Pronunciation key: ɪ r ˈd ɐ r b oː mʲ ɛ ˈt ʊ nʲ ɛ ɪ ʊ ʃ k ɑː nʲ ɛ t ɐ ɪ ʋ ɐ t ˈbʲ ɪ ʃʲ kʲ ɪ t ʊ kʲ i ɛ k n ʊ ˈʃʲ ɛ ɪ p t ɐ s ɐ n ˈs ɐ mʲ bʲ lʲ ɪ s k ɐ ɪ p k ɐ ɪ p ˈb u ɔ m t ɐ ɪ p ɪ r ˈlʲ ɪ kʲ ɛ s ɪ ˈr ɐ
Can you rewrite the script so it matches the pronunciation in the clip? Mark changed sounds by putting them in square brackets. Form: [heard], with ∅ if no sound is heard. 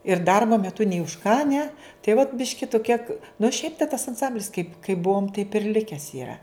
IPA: ɪ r ˈd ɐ r b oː mʲ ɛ ˈt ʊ nʲ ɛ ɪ ʊ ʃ k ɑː nʲ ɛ t ɐ ɪ ʋ ɐ t ˈbʲ ɪ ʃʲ kʲ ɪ t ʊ kʲ i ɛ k n ʊ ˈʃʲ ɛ ɪ p t ɐ s ɐ n ˈs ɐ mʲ bʲ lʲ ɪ s k ɐ ɪ p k ɐ ɪ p ˈb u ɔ m t ɐ ɪ p ɪ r ˈlʲ ɪ kʲ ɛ s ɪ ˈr ɐ